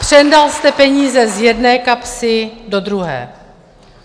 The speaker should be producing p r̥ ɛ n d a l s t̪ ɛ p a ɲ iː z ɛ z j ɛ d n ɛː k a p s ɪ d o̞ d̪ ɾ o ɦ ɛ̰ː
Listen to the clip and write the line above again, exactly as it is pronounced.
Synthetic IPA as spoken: p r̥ ɛ n d a l s t̪ ɛ p ɛ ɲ iː z ɛ z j ɛ d n ɛː k a p s ɪ d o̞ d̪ ɾ u ɦ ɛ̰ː